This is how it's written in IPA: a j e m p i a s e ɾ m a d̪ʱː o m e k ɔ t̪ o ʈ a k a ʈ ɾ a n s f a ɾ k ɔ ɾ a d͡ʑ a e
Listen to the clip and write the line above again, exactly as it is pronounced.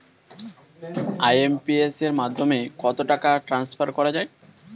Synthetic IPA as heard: a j e m p i e s e ɾ m a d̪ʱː o m e k ɔ t̪ o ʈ a k a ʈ ɾ a n s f a ɾ k ɔ ɾ a d͡ʑ a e